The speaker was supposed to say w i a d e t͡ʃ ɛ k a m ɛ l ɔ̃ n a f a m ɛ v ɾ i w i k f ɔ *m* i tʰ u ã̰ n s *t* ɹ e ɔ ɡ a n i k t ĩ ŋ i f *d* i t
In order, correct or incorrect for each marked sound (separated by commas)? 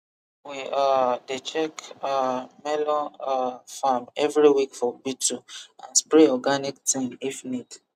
incorrect, incorrect, incorrect